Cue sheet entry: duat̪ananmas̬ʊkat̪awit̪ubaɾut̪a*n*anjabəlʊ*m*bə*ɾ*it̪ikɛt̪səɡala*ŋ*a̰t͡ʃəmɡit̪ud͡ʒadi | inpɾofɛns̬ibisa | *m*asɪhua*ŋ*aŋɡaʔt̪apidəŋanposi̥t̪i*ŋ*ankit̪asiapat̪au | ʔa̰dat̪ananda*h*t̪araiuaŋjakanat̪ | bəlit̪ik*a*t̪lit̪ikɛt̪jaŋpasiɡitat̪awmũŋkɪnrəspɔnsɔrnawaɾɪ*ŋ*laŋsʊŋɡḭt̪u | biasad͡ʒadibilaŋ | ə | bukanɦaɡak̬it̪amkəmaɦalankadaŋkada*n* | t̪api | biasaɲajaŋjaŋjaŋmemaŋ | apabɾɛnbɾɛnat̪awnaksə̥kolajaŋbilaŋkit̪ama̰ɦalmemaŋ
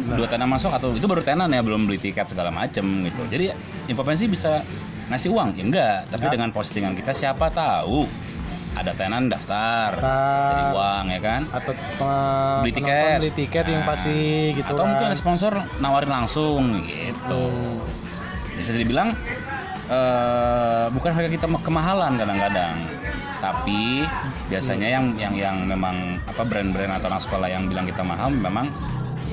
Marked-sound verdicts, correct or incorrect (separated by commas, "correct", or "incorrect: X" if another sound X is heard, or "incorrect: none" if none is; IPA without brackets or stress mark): correct, correct, incorrect: l, incorrect: m, incorrect: ŋ, correct, correct, incorrect: f, incorrect: ɛ, incorrect: n, incorrect: ŋ